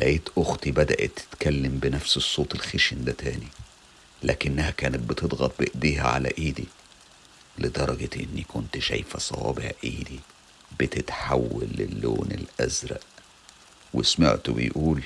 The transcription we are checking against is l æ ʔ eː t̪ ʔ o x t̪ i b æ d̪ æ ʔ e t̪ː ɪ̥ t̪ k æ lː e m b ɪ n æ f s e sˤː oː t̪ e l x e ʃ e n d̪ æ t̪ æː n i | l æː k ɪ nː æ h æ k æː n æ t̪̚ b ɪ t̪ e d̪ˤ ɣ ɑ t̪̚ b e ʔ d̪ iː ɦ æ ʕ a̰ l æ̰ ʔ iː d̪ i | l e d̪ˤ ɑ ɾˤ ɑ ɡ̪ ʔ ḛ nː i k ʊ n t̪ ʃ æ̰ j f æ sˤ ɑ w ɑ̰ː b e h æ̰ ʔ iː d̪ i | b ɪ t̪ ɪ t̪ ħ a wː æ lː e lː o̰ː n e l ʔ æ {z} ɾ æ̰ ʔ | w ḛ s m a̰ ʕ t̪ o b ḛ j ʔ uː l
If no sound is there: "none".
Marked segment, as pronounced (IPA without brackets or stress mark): z